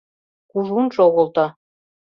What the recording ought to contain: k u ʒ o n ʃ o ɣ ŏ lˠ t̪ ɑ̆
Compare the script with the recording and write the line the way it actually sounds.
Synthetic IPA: k u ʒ u n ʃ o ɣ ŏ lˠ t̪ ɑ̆